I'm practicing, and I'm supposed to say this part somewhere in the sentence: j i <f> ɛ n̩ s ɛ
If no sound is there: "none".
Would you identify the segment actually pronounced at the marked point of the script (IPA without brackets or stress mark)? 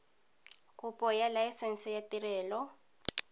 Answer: s